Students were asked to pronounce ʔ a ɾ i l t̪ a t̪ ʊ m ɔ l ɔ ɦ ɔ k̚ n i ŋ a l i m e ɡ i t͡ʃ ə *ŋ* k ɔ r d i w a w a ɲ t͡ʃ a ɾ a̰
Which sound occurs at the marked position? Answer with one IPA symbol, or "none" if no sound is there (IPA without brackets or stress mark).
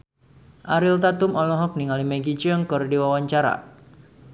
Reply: ŋ